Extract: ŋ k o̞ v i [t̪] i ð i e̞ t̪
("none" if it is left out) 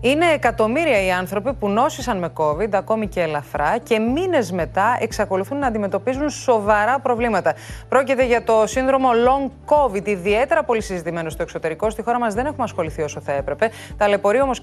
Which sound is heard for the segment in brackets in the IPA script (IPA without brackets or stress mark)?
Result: d̪